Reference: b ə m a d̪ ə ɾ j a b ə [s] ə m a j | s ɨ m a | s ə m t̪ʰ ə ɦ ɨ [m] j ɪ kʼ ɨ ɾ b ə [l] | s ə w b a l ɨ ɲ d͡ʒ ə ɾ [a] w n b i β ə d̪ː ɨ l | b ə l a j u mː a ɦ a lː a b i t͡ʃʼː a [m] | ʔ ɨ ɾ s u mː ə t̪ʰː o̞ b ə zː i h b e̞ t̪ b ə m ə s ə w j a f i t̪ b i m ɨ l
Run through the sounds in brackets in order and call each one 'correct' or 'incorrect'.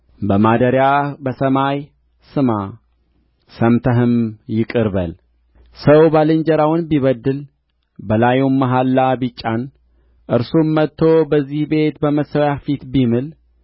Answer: correct, correct, correct, correct, incorrect: n

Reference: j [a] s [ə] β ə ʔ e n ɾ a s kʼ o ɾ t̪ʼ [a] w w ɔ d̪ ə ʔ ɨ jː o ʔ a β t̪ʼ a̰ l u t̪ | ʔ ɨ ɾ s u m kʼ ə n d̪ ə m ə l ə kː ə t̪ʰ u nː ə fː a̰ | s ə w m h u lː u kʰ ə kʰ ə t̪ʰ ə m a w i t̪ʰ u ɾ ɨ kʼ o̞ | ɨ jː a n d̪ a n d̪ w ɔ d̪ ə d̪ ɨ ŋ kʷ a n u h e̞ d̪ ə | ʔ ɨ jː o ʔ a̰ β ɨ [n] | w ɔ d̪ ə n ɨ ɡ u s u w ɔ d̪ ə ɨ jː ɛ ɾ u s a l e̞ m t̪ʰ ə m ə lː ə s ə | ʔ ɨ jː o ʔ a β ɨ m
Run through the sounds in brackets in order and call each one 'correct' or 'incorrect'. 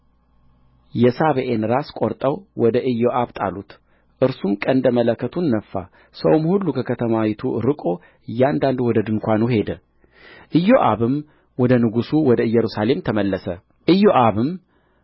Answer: incorrect: ɛ, incorrect: a, incorrect: ə, incorrect: m

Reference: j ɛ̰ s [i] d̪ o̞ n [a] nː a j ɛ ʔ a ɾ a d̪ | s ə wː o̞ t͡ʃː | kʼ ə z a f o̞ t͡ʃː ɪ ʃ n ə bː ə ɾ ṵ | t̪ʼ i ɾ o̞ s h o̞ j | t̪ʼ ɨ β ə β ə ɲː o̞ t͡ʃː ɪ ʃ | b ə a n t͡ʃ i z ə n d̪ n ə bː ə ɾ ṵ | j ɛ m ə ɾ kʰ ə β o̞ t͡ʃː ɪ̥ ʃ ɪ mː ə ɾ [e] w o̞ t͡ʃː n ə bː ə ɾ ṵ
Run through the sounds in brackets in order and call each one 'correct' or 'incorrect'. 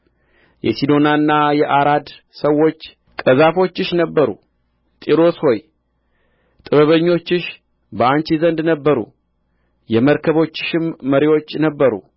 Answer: correct, correct, incorrect: i

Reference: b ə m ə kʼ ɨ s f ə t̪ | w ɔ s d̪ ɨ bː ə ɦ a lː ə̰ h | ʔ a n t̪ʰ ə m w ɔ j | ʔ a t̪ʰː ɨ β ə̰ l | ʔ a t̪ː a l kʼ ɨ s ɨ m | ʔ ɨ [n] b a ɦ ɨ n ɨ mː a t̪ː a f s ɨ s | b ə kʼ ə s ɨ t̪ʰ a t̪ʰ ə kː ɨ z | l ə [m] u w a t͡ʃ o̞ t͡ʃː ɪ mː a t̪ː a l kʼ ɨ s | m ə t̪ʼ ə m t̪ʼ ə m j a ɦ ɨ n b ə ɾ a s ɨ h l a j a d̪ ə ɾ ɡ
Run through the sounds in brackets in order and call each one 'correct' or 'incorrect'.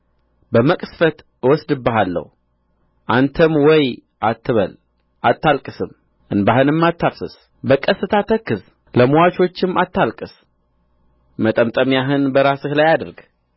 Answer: correct, correct

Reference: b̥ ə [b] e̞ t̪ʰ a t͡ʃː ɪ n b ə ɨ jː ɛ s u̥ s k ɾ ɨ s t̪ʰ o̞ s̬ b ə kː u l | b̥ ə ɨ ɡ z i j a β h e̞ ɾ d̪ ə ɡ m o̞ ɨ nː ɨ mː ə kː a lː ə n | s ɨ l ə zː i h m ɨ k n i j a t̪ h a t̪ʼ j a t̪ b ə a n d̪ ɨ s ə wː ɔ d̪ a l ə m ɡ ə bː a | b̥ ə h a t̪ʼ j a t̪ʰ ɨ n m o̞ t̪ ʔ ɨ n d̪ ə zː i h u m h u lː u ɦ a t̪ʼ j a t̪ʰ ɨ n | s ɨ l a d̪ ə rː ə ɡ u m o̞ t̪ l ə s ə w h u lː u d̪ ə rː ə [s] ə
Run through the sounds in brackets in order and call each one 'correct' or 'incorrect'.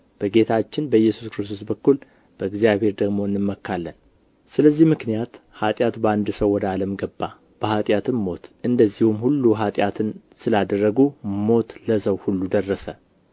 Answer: incorrect: ɡ, correct

